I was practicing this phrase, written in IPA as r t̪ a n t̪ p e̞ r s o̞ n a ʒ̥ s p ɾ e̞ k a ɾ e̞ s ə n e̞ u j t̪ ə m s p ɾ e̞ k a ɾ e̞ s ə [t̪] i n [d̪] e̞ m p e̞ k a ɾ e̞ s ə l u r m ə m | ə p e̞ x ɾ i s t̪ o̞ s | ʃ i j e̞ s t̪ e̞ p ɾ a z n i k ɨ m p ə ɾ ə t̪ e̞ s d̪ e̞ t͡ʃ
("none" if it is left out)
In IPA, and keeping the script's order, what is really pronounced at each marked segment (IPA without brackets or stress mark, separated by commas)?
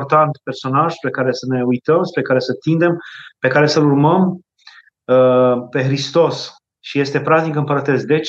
t̪, d̪